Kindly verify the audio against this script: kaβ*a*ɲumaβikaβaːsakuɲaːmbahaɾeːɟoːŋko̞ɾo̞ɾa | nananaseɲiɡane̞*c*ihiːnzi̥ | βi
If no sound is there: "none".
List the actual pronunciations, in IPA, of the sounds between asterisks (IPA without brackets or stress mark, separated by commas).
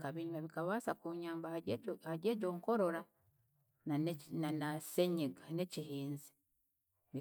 i, c